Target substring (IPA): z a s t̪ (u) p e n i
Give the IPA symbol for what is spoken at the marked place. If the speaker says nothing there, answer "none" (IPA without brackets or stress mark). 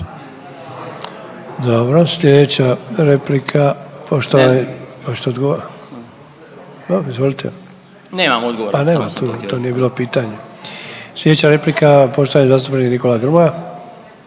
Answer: u